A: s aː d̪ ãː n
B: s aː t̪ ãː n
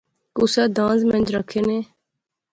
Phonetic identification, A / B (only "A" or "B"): A